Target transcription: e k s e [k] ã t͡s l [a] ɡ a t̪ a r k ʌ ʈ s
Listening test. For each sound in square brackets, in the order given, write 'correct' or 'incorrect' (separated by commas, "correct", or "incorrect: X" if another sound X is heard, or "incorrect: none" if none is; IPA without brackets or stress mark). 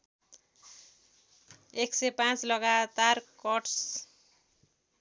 incorrect: p, incorrect: ʌ